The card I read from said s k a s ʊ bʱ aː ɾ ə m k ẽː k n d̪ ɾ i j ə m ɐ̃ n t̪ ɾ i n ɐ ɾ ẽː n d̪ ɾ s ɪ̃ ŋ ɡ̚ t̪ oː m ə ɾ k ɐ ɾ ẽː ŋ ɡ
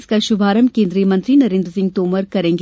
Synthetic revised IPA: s k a ʃ ʊ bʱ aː ɾ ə m k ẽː n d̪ ɾ i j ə m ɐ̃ n t̪ ɾ i n ɐ ɾ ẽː n d̪ ɾ s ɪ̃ ŋ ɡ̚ t̪ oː m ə ɾ k ɐ ɾ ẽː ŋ ɡ